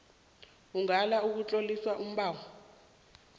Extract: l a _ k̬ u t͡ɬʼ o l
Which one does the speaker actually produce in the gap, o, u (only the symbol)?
u